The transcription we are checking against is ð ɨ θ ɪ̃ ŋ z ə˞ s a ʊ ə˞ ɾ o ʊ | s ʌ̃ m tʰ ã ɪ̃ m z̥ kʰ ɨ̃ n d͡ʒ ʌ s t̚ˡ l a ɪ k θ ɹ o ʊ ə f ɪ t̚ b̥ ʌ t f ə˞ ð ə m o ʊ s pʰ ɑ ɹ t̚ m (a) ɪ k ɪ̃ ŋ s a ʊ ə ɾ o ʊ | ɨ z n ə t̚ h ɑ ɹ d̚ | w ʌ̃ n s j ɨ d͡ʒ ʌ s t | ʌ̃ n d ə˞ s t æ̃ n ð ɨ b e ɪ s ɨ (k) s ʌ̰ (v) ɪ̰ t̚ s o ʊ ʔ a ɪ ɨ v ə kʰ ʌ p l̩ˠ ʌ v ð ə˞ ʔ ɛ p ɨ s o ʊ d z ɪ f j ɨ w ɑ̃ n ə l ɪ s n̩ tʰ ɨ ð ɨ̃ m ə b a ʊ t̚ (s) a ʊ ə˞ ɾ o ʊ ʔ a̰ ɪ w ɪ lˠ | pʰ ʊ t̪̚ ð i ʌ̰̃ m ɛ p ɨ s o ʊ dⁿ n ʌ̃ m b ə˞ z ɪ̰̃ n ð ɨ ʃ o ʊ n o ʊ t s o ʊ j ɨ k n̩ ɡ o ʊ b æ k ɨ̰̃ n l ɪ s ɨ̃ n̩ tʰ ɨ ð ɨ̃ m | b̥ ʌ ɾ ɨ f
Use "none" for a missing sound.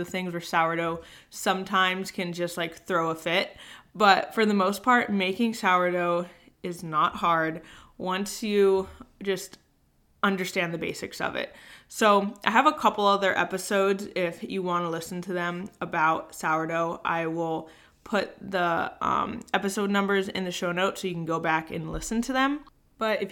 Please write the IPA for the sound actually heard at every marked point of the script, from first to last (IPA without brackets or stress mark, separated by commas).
e, k, v, s